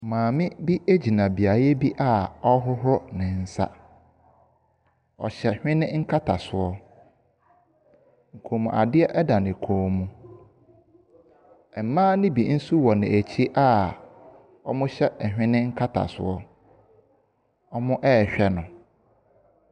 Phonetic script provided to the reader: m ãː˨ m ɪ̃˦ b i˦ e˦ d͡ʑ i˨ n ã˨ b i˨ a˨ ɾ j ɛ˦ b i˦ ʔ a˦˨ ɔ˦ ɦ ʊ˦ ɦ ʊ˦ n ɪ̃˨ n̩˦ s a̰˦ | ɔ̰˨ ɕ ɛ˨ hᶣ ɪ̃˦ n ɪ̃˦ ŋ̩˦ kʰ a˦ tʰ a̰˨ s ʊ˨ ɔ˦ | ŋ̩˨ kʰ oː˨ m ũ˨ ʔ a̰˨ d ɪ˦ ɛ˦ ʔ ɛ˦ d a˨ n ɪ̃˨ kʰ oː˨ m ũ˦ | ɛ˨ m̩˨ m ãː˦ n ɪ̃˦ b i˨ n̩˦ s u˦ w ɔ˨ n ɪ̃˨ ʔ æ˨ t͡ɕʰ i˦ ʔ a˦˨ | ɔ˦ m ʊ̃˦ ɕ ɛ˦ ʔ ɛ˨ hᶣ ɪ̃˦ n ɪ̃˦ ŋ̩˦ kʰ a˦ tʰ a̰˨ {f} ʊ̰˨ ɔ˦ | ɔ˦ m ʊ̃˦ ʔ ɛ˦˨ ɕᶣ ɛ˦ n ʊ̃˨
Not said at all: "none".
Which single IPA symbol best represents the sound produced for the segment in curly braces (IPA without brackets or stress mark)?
s